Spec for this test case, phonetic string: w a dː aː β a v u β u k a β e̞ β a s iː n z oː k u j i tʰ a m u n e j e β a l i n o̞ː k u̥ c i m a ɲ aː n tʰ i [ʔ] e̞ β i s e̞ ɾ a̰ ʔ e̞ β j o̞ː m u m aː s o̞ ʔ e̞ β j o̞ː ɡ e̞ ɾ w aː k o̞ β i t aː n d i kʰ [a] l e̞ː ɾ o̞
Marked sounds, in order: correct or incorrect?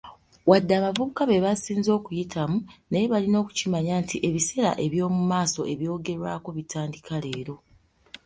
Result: correct, correct

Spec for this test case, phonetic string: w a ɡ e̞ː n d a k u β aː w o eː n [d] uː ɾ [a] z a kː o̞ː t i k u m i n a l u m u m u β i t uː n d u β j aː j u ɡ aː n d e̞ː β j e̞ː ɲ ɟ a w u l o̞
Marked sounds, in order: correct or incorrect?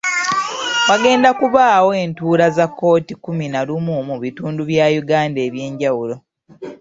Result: incorrect, correct

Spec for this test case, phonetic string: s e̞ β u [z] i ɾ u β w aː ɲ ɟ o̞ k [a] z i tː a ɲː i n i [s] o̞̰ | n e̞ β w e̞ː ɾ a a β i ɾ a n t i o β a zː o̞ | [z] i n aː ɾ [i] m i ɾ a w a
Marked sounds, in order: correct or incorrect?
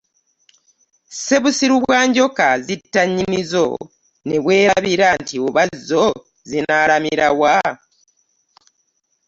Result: incorrect, correct, incorrect, correct, incorrect

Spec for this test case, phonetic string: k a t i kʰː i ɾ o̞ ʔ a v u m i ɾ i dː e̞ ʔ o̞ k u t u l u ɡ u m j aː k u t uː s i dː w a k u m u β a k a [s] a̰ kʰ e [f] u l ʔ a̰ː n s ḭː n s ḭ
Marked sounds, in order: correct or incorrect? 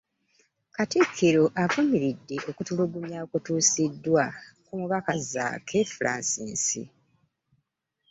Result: incorrect, correct

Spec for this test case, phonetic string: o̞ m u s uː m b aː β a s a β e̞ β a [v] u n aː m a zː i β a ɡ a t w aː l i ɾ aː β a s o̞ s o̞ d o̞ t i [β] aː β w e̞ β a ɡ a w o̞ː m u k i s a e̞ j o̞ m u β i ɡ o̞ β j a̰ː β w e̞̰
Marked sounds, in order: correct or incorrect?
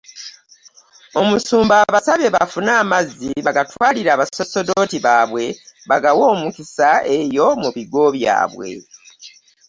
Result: incorrect, correct

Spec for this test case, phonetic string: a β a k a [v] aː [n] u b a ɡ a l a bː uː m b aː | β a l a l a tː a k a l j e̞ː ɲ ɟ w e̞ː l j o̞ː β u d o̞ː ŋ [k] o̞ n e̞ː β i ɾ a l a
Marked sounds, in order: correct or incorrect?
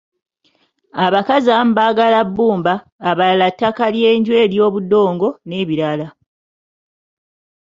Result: incorrect, incorrect, incorrect

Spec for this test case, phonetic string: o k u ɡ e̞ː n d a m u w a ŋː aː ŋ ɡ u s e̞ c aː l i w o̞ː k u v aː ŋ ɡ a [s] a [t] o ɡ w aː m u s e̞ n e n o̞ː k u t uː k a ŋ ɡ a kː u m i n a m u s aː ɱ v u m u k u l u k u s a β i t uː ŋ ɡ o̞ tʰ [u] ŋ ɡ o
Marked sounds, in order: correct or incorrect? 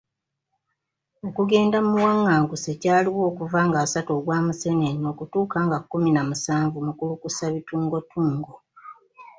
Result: correct, correct, incorrect

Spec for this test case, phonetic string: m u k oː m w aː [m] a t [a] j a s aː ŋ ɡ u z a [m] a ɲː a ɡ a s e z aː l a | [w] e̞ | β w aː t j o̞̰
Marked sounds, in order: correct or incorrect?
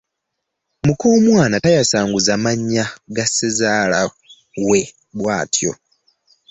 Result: incorrect, correct, correct, correct

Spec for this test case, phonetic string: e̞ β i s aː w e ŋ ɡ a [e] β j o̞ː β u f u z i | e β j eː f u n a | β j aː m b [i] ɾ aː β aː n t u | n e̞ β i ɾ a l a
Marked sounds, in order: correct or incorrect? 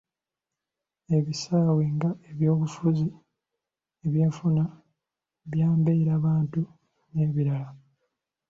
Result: correct, incorrect

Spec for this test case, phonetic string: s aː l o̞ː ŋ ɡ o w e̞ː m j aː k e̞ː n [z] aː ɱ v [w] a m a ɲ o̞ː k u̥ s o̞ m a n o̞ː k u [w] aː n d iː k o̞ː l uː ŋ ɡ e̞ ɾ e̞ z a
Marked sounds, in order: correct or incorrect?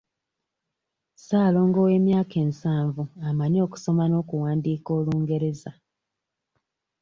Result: incorrect, incorrect, correct

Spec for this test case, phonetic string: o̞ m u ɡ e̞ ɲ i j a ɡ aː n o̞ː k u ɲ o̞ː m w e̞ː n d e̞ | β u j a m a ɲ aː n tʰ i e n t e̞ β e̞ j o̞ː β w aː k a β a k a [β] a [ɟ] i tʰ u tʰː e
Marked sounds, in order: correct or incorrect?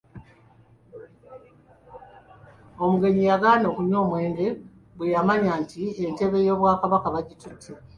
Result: correct, correct

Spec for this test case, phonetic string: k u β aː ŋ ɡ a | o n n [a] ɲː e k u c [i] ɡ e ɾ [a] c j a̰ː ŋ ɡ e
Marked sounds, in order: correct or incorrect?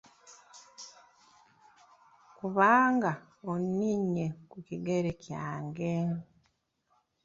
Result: incorrect, correct, incorrect

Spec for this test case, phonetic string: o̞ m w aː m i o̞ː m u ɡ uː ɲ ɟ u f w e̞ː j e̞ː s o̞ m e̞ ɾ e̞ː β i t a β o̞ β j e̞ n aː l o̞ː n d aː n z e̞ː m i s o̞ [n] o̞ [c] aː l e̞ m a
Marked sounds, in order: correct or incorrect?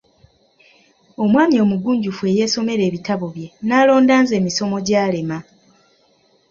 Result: incorrect, incorrect

